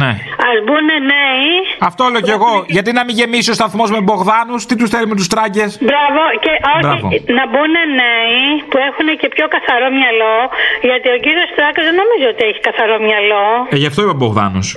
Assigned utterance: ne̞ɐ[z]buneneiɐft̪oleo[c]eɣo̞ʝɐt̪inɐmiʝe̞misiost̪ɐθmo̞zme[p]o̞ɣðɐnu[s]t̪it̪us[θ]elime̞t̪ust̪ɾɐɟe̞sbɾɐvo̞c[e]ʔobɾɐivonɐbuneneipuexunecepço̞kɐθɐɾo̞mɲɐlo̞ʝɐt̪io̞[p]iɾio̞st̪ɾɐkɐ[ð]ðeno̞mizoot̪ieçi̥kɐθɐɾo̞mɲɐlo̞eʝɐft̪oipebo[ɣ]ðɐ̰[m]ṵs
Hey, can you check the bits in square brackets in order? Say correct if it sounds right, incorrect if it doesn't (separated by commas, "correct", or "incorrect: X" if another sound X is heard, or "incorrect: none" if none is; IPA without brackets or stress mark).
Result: correct, correct, incorrect: b, correct, correct, correct, incorrect: c, incorrect: z, correct, incorrect: n